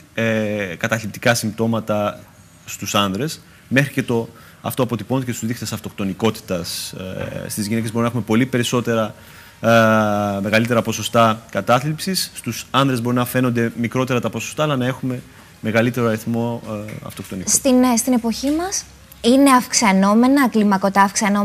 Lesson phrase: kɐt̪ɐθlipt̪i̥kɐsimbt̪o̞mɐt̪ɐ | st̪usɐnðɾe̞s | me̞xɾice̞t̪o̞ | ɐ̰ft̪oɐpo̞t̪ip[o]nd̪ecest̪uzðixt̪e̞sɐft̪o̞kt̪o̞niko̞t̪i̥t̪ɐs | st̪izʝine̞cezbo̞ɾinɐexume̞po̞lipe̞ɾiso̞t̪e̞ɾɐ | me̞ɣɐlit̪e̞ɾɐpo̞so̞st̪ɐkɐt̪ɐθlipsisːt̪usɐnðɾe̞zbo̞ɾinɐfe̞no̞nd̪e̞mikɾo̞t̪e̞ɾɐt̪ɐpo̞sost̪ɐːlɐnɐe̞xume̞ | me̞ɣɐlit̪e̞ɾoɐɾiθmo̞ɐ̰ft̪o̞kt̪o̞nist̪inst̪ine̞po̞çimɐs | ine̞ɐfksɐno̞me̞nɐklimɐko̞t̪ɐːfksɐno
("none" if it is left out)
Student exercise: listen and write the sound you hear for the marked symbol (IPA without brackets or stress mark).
o